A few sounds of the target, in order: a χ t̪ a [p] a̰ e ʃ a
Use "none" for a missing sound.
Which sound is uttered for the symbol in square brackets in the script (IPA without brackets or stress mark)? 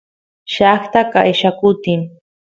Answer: k